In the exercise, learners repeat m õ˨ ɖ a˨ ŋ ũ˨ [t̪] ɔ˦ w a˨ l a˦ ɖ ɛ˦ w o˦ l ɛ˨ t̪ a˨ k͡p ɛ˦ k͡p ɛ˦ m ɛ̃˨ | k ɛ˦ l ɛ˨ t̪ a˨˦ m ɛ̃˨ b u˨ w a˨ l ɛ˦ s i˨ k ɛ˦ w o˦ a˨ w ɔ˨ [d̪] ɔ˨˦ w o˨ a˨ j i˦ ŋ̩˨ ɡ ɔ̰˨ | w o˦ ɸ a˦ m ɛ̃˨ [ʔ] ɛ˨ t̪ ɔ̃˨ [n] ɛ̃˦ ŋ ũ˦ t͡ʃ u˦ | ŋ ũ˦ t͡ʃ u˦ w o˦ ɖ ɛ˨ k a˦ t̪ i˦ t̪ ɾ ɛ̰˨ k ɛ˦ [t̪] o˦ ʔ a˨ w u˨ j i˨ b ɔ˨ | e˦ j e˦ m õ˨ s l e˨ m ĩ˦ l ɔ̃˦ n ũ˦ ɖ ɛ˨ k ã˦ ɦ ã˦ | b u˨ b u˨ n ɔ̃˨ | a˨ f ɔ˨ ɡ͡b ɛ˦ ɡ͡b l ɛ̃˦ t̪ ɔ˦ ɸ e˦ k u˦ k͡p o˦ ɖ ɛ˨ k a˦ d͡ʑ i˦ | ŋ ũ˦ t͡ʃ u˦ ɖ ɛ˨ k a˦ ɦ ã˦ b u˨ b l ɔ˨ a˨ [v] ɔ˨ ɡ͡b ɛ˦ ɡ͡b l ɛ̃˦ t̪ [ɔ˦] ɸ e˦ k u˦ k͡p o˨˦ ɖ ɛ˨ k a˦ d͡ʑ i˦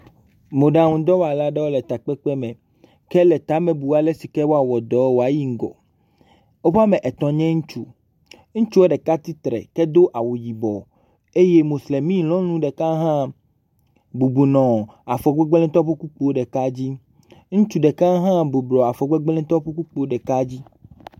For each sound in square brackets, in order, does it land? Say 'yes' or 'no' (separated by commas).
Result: no, yes, yes, no, no, no, yes